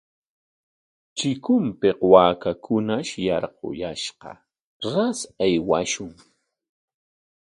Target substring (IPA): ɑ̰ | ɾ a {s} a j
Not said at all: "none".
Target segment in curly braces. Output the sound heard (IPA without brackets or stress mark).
s